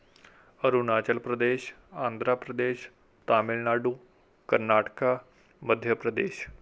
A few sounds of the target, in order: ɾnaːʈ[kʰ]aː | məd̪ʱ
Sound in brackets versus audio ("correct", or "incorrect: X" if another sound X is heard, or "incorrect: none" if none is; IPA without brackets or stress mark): incorrect: k